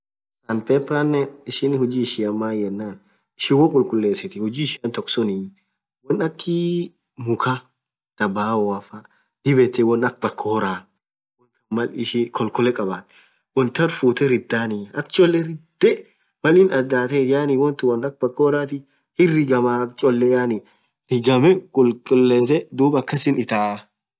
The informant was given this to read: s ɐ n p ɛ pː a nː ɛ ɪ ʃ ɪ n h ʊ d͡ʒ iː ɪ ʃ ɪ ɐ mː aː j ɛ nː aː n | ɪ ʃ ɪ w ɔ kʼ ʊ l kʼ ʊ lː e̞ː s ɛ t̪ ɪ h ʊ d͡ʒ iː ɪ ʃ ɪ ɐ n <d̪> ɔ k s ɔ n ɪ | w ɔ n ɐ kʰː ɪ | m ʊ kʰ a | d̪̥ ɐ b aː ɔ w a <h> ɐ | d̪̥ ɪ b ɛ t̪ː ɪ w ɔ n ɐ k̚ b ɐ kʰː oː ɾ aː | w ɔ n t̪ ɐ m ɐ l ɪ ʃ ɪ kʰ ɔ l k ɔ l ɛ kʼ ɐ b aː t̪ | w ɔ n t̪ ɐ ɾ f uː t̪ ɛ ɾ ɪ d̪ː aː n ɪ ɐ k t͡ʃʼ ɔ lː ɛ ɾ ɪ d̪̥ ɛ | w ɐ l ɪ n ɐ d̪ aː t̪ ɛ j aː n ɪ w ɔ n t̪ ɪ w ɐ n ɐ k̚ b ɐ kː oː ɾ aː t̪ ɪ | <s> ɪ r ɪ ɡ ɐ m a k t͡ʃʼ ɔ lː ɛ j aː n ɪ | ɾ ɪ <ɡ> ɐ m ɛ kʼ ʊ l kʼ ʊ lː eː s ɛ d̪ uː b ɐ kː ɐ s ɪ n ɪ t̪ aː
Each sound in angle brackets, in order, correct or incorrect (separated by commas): incorrect, incorrect, incorrect, correct